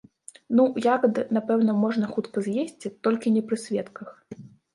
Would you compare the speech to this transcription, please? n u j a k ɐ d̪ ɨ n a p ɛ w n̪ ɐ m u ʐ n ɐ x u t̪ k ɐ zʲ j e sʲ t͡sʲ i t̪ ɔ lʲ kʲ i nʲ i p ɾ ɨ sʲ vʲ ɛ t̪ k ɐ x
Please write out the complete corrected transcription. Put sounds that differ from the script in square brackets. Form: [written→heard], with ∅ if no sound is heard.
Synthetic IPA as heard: n u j a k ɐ d̪ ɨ n a p ɛ w n̪ ɐ m [u→ɔ] ʐ n ɐ x u t̪ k ɐ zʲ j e sʲ t͡sʲ i t̪ ɔ lʲ kʲ i nʲ [i→ɛ] p ɾ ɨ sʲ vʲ ɛ t̪ k ɐ x

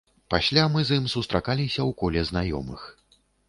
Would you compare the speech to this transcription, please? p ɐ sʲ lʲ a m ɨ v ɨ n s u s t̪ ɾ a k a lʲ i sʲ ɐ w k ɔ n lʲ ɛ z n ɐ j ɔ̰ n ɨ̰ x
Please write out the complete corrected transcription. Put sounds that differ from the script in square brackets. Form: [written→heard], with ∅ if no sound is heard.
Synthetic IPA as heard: p [ɐ→a] sʲ lʲ a m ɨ [v→z] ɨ [n→m] s u s t̪ ɾ a k a lʲ i sʲ ɐ w k ɔ [n→∅] lʲ ɛ z n [ɐ→a] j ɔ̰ [n→m] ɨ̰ x

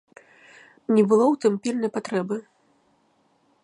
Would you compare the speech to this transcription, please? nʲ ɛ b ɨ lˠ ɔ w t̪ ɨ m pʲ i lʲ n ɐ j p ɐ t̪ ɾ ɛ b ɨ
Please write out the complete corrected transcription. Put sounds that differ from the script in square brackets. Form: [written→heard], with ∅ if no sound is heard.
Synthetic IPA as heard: nʲ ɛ b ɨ lˠ ɔ w t̪ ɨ m pʲ i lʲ n ɐ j p [ɐ→a] t̪ ɾ ɛ b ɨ

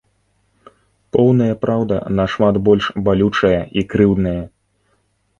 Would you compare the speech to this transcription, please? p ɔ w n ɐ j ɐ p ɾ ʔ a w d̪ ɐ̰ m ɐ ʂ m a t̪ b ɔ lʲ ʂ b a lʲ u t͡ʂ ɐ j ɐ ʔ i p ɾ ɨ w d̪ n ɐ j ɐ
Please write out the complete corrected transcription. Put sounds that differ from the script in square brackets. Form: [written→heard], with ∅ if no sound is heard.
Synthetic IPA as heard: p ɔ w n ɐ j ɐ p ɾ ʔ a w d̪ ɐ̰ [m→n] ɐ ʂ m a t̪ b ɔ lʲ ʂ b a lʲ u t͡ʂ ɐ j ɐ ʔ i [p→k] ɾ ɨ w d̪ n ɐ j ɐ

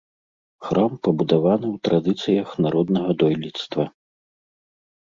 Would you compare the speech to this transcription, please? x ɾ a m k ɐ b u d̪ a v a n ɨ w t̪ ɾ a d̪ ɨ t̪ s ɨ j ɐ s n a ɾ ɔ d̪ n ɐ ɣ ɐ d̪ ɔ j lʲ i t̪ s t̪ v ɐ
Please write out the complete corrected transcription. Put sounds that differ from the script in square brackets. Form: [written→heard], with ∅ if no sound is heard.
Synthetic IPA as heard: x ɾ a m [k→p] ɐ b u d̪ a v a n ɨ w t̪ ɾ a d̪ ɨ t̪ s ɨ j ɐ [s→x] n a ɾ ɔ d̪ n ɐ ɣ ɐ d̪ ɔ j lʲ i t̪ s t̪ v ɐ

